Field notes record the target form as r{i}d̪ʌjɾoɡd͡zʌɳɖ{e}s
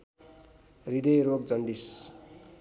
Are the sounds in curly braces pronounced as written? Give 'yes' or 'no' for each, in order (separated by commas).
yes, no